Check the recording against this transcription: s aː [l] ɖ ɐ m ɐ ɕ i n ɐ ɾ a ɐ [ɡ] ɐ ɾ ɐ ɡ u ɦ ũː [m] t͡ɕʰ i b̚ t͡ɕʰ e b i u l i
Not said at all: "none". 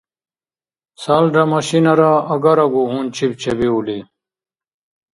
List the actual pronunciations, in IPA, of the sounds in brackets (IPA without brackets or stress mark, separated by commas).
l, ɡ, n